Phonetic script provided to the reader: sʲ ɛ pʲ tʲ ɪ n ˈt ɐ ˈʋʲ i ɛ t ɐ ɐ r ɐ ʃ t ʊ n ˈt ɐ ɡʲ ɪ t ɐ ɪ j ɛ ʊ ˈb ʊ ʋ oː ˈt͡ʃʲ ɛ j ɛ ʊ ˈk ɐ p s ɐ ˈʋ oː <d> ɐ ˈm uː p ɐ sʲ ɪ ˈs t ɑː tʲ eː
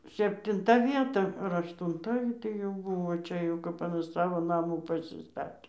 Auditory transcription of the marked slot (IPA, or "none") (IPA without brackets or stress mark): n